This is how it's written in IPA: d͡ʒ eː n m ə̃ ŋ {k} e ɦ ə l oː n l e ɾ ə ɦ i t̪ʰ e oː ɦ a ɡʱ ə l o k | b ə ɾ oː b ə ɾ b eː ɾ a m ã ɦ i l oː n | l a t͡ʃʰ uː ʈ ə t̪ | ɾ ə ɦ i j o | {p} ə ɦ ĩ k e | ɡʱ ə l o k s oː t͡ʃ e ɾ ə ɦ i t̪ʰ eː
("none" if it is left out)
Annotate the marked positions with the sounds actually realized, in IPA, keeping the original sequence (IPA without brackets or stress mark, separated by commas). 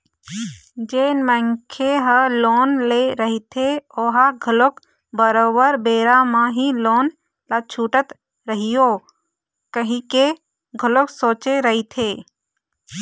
kʰ, k